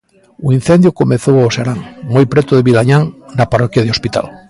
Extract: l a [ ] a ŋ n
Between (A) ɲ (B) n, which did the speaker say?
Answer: A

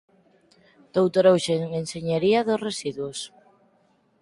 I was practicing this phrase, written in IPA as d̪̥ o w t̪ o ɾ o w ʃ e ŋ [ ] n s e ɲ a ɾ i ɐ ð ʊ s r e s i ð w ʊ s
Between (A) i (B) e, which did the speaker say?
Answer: B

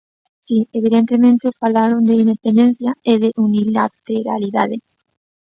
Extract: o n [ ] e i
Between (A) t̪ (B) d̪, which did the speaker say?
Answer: B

